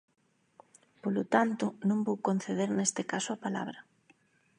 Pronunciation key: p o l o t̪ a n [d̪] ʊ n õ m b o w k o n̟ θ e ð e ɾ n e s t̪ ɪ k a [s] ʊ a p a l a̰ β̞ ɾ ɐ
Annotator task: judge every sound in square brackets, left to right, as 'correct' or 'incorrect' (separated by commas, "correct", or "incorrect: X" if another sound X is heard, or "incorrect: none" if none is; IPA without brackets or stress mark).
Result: incorrect: t̪, correct